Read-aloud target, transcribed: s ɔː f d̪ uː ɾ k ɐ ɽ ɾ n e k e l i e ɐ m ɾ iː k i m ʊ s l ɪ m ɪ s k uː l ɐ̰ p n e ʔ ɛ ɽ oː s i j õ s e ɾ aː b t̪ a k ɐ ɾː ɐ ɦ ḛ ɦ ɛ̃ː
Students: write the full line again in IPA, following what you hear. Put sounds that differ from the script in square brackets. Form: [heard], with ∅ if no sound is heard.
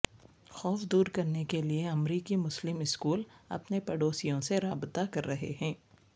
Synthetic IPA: [x] ɔː f d̪ uː ɾ k ɐ [∅] ɾ n e k e l i e ɐ m ɾ iː k i m ʊ s l ɪ m ɪ s k uː l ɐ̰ p n e [p] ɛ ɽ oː s i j õ s e ɾ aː b t̪ a k ɐ ɾː ɐ ɦ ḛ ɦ ɛ̃ː